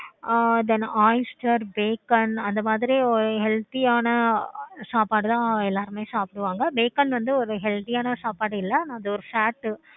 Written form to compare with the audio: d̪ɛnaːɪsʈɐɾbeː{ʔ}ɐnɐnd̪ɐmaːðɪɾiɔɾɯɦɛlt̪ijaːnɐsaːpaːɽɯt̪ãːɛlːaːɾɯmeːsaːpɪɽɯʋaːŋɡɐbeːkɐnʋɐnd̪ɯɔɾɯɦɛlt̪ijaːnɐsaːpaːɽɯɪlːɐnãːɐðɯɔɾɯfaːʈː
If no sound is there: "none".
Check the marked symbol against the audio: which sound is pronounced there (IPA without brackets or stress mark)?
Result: k